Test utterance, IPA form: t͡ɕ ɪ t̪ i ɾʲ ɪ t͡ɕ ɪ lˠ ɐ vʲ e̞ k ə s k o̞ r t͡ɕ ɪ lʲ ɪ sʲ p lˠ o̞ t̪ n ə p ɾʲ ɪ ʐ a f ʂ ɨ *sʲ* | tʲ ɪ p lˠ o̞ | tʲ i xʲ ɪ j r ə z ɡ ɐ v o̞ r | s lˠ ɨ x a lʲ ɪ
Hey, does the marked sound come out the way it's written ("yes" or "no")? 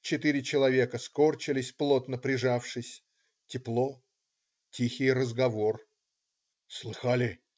yes